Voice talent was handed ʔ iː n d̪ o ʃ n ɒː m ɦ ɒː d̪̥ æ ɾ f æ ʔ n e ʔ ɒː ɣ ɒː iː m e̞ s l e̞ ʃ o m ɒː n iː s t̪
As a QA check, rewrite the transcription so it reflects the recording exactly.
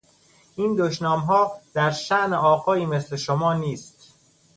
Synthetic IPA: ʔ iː n d̪ o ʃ n ɒː m ɦ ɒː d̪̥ æ ɾ ʃ æ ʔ n e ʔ ɒː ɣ ɒː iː m e̞ s l e̞ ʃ o m ɒː n iː s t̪